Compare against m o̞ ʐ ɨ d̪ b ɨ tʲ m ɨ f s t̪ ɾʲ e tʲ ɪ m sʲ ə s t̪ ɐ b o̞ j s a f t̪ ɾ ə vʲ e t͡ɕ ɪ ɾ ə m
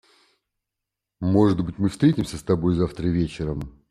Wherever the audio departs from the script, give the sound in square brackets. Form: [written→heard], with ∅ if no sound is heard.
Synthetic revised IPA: m o̞ ʐ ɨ d̪ b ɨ tʲ m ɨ f s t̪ ɾʲ e tʲ ɪ m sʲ ə s t̪ ɐ b o̞ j [s→z] a f t̪ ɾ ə vʲ e t͡ɕ ɪ ɾ ə m

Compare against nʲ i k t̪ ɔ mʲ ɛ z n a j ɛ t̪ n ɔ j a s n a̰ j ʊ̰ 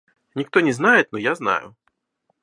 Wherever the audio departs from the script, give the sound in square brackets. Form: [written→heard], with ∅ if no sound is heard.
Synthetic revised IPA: nʲ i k t̪ ɔ [mʲ→nʲ] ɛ z n a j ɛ t̪ n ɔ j a [s→z] n a̰ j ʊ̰

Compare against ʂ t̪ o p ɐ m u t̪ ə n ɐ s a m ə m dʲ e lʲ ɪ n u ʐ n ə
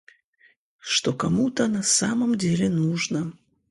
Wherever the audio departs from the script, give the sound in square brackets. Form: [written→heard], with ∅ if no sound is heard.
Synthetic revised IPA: ʂ t̪ o [p→k] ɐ m u t̪ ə n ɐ s a m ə m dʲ e lʲ ɪ n u ʐ n ə

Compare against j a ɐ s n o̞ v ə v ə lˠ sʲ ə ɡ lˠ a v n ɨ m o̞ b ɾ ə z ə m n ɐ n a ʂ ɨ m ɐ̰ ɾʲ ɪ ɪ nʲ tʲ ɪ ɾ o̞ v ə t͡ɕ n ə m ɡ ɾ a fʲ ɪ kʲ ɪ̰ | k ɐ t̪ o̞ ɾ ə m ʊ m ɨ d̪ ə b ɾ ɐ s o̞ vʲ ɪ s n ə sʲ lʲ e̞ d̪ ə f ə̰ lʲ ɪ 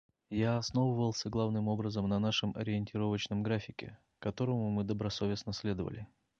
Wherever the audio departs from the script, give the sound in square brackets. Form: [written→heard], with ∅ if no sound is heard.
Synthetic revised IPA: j a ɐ s n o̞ v ə v ə lˠ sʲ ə ɡ lˠ a v n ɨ m o̞ b ɾ ə z ə m n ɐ n a ʂ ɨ m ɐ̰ ɾʲ ɪ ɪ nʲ tʲ ɪ ɾ o̞ v ə t͡ɕ n ə m ɡ ɾ a fʲ ɪ kʲ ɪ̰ | k ɐ t̪ o̞ ɾ ə m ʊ m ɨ d̪ ə b ɾ ɐ s o̞ vʲ ɪ s n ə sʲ lʲ e̞ d̪ ə [f→v] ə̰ lʲ ɪ

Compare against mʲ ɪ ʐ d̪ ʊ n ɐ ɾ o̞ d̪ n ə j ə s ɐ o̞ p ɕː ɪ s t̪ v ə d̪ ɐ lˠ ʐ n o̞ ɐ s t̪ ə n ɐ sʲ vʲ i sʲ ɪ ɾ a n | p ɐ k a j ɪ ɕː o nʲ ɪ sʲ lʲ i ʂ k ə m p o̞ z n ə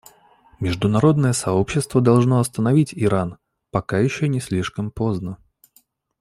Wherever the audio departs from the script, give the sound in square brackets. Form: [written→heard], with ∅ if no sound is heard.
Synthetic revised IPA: mʲ ɪ ʐ d̪ ʊ n ɐ ɾ o̞ d̪ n ə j ə s ɐ o̞ p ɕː ɪ s t̪ v ə d̪ ɐ lˠ ʐ n o̞ ɐ s t̪ ə n ɐ [sʲ→∅] vʲ i [sʲ→tʲ] ɪ ɾ a n | p ɐ k a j ɪ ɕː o nʲ ɪ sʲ lʲ i ʂ k ə m p o̞ z n ə

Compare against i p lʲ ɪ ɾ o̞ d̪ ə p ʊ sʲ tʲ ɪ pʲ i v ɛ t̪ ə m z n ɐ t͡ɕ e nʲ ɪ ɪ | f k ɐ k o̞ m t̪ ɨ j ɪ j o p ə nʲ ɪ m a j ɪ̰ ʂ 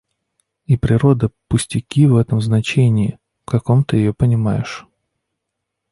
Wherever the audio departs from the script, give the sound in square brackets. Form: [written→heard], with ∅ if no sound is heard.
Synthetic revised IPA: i p [lʲ→ɾʲ] ɪ ɾ o̞ d̪ ə p ʊ sʲ tʲ ɪ [pʲ→kʲ] i v ɛ t̪ ə m z n ɐ t͡ɕ e nʲ ɪ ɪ | f k ɐ k o̞ m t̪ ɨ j ɪ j o p ə nʲ ɪ m a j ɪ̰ ʂ

